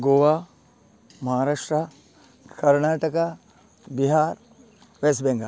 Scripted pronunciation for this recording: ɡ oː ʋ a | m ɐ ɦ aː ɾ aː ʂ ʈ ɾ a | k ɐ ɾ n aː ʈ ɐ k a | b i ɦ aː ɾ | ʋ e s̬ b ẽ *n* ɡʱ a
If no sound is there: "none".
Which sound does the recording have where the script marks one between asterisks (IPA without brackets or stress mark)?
ŋ